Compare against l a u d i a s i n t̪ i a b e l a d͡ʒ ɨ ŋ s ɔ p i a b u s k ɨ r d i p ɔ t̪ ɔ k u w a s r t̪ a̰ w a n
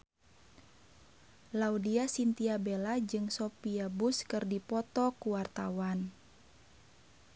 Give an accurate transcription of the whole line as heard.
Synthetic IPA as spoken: l a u d i a s i n t̪ i a b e l a d͡ʒ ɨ ŋ s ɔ p i a b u s k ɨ r d i p ɔ t̪ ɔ k u w a r t̪ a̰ w a n